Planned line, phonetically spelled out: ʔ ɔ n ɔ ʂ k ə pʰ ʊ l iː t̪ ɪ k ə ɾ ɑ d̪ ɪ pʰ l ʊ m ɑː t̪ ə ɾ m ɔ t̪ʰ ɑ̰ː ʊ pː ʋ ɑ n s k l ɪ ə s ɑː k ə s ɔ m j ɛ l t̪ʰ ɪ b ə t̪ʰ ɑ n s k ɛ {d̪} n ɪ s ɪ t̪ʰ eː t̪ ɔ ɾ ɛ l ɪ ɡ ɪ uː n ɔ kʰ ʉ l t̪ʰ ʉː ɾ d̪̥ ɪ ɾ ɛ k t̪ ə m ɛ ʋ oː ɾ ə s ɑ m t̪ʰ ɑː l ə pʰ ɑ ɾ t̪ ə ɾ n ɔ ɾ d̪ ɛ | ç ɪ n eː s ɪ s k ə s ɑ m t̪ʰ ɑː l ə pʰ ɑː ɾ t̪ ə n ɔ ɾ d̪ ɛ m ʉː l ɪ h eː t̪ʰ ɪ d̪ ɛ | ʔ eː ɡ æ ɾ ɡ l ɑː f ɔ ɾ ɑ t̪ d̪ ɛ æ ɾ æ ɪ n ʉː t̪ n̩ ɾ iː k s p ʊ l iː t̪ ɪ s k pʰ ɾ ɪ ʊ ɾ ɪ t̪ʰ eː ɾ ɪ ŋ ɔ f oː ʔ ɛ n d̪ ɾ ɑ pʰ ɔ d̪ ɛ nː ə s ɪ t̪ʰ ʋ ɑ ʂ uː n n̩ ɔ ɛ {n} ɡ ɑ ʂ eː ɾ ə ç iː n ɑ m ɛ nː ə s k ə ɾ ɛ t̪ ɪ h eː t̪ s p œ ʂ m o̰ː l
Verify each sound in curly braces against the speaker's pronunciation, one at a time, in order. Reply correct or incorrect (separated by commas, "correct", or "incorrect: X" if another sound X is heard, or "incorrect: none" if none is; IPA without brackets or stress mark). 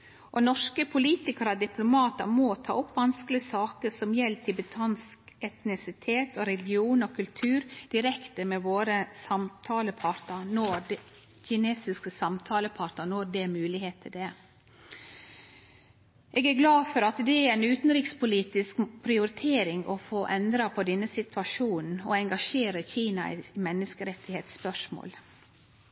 incorrect: t̪, incorrect: ŋ